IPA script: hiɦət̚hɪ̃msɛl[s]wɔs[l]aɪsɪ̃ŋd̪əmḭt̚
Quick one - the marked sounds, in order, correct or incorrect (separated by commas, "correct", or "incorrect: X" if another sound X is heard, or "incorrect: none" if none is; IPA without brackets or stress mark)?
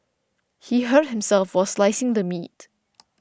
incorrect: f, correct